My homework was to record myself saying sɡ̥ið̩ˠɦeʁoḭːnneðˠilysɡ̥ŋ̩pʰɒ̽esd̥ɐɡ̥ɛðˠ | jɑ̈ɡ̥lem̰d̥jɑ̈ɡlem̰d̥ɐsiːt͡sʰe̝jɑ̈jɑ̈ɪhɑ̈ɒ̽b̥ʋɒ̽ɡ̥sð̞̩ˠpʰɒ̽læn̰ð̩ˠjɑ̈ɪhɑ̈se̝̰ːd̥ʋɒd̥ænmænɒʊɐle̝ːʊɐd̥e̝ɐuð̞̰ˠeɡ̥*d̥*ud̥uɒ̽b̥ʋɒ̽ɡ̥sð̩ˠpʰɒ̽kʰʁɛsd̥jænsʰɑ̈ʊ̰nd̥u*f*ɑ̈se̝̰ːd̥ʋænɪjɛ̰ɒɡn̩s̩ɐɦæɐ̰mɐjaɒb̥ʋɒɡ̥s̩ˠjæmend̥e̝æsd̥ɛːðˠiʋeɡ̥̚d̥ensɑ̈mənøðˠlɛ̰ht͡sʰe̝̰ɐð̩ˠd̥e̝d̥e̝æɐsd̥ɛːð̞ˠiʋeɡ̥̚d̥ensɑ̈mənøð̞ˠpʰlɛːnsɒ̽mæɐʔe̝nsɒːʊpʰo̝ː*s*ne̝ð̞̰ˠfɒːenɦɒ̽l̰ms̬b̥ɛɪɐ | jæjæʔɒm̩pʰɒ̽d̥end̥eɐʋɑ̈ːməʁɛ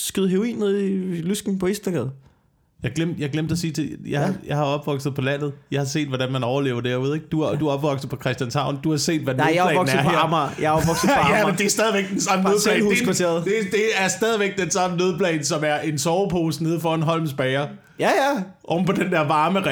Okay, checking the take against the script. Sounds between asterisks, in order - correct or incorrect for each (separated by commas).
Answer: correct, incorrect, correct